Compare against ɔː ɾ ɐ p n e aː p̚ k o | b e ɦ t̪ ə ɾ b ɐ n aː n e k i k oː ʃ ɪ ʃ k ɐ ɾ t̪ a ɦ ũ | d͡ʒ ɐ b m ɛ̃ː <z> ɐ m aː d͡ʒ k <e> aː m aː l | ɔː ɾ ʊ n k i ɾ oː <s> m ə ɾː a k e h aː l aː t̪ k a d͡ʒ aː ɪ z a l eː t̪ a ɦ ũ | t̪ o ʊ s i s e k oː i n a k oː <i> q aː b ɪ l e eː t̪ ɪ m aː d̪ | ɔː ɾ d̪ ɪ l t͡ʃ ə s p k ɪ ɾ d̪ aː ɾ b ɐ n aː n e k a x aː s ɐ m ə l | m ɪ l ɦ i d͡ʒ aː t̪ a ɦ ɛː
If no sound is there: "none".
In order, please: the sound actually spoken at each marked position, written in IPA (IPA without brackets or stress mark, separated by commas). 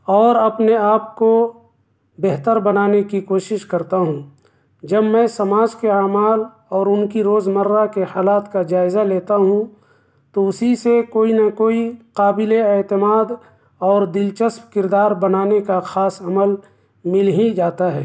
s, e, z, i